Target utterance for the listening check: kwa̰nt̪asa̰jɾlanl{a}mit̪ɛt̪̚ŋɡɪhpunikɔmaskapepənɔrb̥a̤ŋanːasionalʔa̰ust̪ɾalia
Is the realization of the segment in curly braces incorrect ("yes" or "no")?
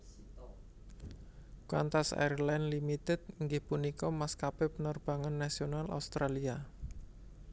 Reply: yes